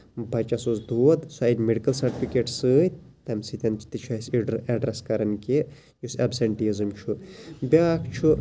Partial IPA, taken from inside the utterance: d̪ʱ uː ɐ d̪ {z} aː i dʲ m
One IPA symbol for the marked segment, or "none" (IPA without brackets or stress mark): s